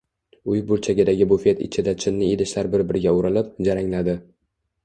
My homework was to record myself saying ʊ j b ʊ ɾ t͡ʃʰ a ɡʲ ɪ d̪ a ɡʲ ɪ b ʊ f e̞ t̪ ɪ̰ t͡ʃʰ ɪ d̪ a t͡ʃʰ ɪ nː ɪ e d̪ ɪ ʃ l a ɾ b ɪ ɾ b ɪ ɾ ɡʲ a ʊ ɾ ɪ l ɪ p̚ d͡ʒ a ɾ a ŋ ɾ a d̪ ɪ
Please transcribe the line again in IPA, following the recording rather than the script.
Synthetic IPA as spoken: ʊ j b ʊ ɾ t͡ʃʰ a ɡʲ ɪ d̪ a ɡʲ ɪ b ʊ f e̞ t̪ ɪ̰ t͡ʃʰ ɪ d̪ a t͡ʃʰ ɪ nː ɪ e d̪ ɪ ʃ l a ɾ b ɪ ɾ b ɪ ɾ ɡʲ a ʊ ɾ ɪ l ɪ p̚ d͡ʒ a ɾ a ŋ l a d̪ ɪ